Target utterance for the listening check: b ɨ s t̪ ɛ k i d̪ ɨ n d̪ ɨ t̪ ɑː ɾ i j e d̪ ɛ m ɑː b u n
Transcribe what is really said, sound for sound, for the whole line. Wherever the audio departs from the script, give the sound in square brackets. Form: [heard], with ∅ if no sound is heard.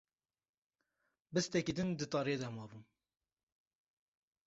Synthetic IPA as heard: b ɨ s t̪ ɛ k i d̪ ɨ n d̪ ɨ t̪ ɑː ɾ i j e d̪ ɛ m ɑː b u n